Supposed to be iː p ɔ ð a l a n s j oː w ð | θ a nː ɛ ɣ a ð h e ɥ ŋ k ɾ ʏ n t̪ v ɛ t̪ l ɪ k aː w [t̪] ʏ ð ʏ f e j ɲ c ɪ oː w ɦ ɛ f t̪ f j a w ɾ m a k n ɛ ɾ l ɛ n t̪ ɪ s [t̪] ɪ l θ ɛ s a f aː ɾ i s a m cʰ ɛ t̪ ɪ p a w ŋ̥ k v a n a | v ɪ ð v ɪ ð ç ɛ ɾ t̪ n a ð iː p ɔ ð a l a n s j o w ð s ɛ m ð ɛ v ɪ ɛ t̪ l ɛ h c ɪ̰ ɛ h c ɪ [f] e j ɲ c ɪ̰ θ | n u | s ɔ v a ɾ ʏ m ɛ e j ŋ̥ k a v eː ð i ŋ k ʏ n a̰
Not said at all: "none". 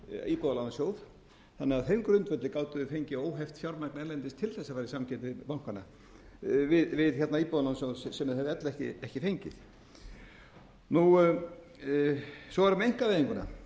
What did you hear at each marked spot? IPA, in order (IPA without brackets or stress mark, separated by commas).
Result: t̪, t̪ʰ, f